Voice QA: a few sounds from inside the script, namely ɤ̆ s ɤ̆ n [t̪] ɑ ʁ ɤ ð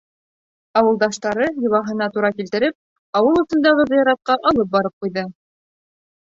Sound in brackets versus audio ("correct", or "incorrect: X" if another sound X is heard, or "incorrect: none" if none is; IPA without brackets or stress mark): incorrect: d̪